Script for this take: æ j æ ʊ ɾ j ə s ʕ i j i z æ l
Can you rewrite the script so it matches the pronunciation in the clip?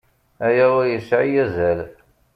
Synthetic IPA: æ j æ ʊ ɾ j ə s ʕ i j æ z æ l